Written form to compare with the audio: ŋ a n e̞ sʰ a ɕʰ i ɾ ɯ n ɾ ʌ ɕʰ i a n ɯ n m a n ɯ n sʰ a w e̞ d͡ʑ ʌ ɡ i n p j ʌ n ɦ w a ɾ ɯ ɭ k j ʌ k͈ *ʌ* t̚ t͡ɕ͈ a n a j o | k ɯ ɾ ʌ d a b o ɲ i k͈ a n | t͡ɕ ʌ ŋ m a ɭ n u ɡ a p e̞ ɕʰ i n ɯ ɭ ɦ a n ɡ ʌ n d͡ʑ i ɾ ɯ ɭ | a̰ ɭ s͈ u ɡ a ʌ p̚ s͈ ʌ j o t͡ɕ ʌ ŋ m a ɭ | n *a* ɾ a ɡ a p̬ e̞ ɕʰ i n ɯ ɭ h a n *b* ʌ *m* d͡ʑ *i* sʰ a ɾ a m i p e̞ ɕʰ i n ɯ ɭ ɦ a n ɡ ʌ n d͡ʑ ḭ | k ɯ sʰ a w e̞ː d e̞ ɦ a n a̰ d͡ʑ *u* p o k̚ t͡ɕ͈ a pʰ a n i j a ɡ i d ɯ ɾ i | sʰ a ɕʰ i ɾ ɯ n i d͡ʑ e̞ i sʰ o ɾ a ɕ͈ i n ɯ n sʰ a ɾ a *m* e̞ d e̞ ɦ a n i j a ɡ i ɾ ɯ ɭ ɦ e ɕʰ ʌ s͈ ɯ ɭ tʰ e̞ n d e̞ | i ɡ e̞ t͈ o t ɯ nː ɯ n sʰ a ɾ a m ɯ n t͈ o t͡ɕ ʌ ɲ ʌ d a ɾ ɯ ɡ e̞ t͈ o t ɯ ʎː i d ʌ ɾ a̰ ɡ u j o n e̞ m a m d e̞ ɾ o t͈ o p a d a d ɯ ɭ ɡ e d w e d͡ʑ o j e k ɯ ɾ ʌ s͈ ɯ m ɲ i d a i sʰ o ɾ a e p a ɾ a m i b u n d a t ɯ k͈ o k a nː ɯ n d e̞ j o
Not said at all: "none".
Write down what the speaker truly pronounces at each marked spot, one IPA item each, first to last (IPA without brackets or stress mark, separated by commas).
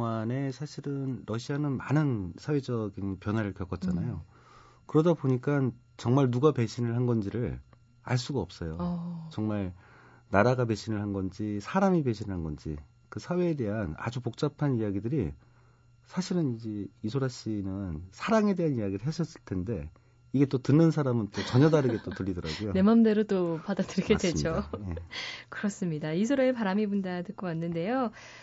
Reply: ʌ, a, ɡ, n, i, u, ŋ